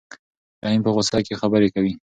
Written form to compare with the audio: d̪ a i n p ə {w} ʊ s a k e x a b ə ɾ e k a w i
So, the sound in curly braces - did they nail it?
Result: no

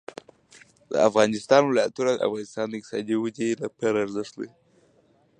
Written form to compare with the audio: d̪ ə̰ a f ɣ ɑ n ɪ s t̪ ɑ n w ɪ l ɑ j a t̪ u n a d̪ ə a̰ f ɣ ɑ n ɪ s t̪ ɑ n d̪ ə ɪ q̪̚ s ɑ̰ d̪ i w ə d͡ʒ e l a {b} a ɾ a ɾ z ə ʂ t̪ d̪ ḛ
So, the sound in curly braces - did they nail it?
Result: no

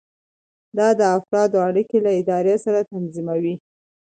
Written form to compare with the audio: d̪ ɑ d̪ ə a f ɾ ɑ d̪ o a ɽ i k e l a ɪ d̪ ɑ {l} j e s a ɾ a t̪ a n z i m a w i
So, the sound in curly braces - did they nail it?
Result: no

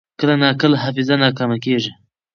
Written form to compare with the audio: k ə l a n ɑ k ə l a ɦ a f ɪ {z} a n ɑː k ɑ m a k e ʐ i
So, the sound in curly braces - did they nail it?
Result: yes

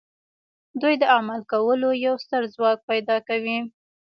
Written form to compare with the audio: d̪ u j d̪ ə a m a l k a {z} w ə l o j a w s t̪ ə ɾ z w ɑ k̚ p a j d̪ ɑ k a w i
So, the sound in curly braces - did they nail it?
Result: no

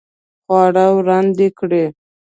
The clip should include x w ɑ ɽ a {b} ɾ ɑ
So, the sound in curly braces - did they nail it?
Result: no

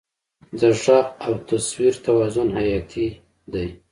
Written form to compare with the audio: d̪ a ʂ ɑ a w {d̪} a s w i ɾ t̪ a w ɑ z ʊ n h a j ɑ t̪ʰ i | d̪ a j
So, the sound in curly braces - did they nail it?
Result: no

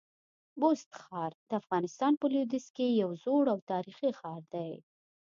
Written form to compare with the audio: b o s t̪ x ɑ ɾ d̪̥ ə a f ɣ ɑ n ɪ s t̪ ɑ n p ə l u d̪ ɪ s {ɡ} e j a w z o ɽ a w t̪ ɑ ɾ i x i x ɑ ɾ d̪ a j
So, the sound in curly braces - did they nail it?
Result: no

